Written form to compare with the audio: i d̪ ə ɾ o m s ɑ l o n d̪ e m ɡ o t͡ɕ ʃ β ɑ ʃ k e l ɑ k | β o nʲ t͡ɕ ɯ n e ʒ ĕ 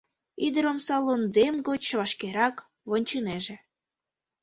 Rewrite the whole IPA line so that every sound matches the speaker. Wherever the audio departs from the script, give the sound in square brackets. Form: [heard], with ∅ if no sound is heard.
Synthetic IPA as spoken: i d̪ ə ɾ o m s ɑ l o n d̪ e m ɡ o t͡ɕ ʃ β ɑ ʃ k e [ɾ] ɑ k | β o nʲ t͡ɕ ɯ n e ʒ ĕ